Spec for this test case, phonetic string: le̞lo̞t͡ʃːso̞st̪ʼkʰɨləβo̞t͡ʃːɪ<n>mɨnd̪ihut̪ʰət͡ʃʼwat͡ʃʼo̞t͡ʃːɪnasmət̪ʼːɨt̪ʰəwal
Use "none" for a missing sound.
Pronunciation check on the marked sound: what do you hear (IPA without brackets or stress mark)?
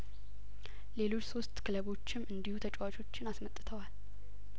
none